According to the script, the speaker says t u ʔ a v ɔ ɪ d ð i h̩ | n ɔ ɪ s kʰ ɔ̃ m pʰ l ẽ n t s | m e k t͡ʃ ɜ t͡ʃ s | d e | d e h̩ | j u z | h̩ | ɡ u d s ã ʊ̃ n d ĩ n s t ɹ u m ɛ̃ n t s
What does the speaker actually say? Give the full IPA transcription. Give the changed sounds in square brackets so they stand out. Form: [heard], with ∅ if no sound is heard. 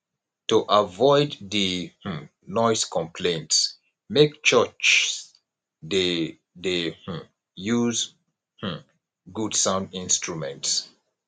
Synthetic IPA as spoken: t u ʔ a v ɔ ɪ d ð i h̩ | n ɔ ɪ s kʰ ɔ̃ m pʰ l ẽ n t s | m e k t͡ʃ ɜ t͡ʃ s | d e | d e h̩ | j u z | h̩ | ɡ u d s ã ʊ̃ n d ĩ n s t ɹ u m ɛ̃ n t s